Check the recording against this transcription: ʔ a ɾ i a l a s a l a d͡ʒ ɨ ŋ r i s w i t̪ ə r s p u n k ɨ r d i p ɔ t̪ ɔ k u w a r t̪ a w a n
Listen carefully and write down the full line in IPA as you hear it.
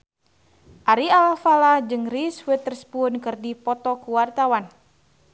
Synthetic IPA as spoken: ʔ a ɾ i a l a f a l a d͡ʒ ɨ ŋ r i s w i t̪ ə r s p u n k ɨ r d i p ɔ t̪ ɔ k u w a r t̪ a w a n